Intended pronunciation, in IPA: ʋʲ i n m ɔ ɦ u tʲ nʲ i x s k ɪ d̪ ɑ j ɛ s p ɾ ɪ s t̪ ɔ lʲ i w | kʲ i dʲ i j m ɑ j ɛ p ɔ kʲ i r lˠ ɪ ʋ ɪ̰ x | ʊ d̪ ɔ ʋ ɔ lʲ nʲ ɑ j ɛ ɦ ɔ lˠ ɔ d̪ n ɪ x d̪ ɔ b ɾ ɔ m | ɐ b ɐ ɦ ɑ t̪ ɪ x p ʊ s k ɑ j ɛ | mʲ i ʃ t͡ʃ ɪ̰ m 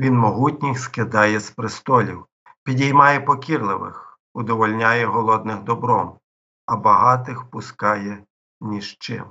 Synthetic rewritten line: ʋʲ i n m ɔ ɦ u tʲ nʲ i x s k ɪ d̪ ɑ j ɛ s p ɾ ɪ s t̪ ɔ lʲ i w | pʲ i dʲ i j m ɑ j ɛ p ɔ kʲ i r lˠ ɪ ʋ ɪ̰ x | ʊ d̪ ɔ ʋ ɔ lʲ nʲ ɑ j ɛ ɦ ɔ lˠ ɔ d̪ n ɪ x d̪ ɔ b ɾ ɔ m | ɐ b ɐ ɦ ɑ t̪ ɪ x p ʊ s k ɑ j ɛ | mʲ i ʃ t͡ʃ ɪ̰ m